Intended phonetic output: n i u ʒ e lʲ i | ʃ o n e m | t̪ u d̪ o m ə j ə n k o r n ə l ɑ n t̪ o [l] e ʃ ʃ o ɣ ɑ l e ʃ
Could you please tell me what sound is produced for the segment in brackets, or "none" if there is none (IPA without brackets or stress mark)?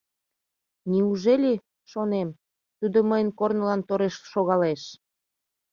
ɾ